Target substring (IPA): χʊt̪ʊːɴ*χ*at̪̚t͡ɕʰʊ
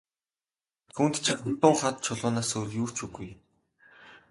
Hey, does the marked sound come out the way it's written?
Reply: yes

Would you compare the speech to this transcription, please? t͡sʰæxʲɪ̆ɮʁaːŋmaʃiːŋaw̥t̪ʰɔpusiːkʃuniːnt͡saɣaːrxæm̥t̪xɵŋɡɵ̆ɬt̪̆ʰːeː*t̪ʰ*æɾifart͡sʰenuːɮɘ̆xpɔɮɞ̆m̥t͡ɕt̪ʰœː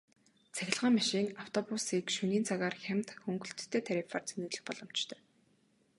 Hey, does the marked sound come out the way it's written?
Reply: yes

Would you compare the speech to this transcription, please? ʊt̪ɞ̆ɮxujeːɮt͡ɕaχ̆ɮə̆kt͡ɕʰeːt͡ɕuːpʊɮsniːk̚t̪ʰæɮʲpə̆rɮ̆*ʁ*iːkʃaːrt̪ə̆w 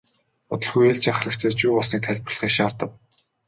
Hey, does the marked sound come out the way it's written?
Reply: no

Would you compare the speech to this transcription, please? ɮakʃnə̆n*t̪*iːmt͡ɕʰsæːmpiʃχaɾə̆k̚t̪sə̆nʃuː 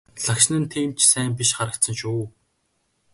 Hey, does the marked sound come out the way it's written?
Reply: no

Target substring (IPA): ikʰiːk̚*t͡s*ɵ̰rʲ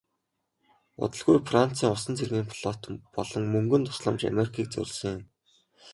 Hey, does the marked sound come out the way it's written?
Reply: yes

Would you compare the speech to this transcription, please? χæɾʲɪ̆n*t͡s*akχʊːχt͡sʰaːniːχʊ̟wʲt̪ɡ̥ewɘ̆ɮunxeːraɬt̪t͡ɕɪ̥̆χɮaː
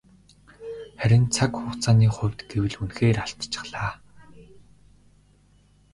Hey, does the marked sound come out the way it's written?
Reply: no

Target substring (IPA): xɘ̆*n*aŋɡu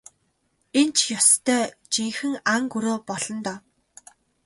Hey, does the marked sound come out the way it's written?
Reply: no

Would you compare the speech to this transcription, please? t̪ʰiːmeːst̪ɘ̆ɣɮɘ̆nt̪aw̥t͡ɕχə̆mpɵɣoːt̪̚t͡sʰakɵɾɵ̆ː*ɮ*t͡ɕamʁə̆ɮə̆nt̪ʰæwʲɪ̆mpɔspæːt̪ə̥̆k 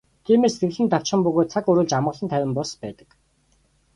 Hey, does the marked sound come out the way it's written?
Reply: yes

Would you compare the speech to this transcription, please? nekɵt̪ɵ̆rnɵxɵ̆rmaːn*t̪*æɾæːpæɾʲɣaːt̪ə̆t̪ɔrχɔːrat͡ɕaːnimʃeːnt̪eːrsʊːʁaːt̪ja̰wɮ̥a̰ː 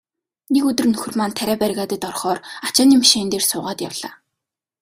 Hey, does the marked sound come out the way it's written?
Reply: no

